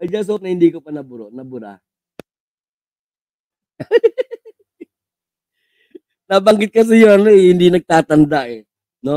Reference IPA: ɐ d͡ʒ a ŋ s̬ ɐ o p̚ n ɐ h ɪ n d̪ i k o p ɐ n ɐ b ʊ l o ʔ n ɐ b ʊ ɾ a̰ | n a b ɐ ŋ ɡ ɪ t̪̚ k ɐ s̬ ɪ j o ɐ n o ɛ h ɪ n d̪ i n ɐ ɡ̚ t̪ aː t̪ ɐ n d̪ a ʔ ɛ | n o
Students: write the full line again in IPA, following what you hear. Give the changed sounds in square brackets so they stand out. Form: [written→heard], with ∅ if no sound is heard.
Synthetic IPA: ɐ d͡ʒ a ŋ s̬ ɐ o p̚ n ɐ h ɪ n d̪ i k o p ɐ n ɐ b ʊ [l→ɾ] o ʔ n ɐ b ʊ ɾ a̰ | n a b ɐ ŋ ɡ ɪ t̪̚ k ɐ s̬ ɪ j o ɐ n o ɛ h ɪ n d̪ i n ɐ ɡ̚ t̪ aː t̪ ɐ n d̪ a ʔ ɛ | n o